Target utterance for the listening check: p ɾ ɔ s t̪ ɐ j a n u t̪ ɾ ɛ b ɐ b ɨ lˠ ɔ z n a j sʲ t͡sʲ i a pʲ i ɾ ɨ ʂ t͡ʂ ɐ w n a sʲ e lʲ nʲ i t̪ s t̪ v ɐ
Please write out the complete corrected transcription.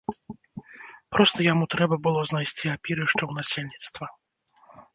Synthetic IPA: p ɾ ɔ s t̪ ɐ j a m u t̪ ɾ ɛ b ɐ b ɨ lˠ ɔ z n a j sʲ t͡sʲ i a pʲ i ɾ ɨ ʂ t͡ʂ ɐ w n a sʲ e lʲ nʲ i t̪ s t̪ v ɐ